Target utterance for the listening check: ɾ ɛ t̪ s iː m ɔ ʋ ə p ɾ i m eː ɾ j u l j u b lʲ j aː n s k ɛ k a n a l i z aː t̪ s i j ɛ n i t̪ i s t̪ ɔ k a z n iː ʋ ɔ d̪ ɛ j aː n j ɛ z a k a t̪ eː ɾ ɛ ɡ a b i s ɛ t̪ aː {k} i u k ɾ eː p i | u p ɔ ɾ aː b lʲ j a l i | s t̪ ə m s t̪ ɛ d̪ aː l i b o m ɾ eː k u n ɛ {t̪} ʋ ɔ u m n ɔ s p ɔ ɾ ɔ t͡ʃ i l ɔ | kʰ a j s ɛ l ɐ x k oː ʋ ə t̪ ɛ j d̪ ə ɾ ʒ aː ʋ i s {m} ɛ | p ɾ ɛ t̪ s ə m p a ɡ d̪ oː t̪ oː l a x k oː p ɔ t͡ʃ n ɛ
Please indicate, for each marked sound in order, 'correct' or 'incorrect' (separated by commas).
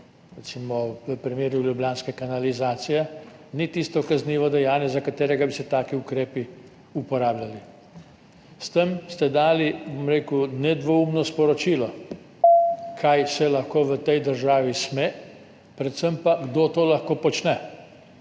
correct, incorrect, correct